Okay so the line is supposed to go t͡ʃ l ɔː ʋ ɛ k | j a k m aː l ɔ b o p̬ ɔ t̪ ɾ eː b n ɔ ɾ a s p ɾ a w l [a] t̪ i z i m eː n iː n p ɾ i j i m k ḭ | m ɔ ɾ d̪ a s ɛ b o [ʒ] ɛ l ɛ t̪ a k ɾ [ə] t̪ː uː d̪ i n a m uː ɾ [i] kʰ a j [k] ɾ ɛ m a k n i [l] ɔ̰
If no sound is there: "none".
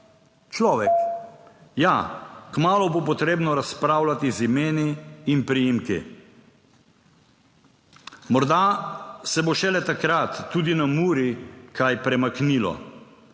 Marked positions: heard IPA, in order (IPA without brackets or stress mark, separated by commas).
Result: a, ʃ, a, i, p, l